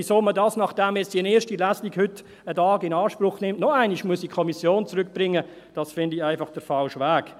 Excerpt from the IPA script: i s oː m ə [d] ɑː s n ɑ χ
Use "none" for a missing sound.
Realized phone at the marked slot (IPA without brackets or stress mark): d